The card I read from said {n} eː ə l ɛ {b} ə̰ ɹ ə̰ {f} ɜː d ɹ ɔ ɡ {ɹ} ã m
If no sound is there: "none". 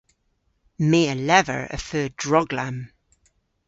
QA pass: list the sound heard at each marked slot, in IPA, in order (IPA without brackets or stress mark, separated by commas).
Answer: m, v, f, l